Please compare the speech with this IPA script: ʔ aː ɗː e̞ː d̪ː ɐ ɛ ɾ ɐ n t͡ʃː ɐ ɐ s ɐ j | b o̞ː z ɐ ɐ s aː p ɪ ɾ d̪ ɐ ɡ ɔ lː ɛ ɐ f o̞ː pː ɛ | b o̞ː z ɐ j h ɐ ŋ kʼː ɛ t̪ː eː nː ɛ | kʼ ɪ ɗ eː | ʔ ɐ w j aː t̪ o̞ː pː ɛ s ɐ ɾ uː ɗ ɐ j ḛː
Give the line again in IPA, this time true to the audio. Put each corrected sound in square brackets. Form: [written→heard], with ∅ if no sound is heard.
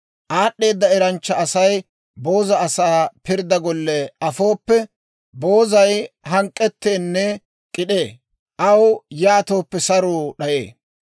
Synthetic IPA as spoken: ʔ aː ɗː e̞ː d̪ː ɐ ɛ ɾ ɐ n t͡ʃː ɐ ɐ s ɐ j | b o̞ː z ɐ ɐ s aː p ɪ ɾ d̪ ɐ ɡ ɔ lː ɛ ɐ f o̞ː pː ɛ | b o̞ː z ɐ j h ɐ ŋ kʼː ɛ t̪ː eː nː ɛ | kʼ ɪ ɗ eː | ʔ ɐ w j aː t̪ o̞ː pː ɛ s ɐ ɾ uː ɗ ɐ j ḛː